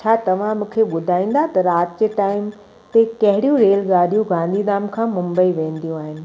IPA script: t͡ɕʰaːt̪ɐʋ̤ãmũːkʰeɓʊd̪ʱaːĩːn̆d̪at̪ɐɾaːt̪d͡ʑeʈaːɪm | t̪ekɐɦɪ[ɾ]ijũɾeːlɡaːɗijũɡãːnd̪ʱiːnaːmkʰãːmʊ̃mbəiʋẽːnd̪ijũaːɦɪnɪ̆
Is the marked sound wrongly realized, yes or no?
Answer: yes